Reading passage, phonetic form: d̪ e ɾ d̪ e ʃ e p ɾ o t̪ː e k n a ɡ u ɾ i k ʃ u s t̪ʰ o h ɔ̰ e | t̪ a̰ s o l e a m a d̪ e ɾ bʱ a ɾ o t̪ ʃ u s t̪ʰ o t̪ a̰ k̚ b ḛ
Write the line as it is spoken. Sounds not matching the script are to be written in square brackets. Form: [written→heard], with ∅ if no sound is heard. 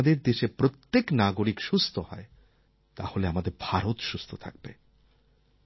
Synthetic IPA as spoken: d̪ e ɾ d̪ e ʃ e p ɾ o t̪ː e k n a ɡ [u→o] ɾ i k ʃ u s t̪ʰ o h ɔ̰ e | t̪ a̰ [s→h] o l e a m a d̪ e ɾ bʱ a ɾ o t̪ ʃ u s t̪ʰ o [t̪→t̪ʰ] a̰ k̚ b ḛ